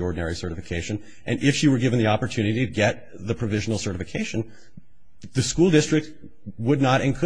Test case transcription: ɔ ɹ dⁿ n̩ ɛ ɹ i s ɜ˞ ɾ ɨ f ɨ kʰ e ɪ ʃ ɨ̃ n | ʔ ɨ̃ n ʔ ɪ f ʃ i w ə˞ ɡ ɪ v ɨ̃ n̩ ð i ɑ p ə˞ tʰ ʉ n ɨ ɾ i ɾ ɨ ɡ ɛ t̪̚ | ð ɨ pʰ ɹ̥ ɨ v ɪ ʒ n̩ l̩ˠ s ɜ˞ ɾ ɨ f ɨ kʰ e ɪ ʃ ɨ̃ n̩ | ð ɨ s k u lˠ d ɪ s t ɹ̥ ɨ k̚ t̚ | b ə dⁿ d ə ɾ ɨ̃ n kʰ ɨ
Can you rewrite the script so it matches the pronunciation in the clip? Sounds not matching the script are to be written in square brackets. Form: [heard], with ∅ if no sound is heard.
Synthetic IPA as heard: ɔ ɹ dⁿ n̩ ɛ ɹ i s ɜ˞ ɾ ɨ f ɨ kʰ e ɪ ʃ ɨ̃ n | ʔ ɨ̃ n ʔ ɪ f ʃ i w ə˞ ɡ ɪ v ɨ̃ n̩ ð i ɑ p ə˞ tʰ ʉ n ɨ ɾ i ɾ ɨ ɡ ɛ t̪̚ | ð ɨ pʰ ɹ̥ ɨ v ɪ ʒ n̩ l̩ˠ s ɜ˞ ɾ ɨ f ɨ kʰ e ɪ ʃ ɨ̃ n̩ | ð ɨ s k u lˠ d ɪ s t ɹ̥ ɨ k̚ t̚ | [w] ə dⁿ [n] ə ɾ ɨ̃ n kʰ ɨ